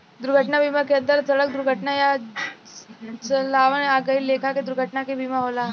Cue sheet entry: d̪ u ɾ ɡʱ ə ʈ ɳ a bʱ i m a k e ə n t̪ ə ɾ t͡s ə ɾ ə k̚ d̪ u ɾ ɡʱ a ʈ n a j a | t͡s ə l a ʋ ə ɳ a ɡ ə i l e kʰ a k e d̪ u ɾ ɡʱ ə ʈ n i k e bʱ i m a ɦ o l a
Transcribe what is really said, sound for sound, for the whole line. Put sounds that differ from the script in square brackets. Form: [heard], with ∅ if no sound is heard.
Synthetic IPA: d̪ u ɾ ɡʱ ə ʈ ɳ a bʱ i m a k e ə n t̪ ə ɾ t͡s ə [ɭ] ə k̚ d̪ u ɾ ɡʱ [ə] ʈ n a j a | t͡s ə l a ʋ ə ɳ a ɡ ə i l e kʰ a k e d̪ u ɾ ɡʱ ə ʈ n [a] k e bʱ i m a ɦ o l a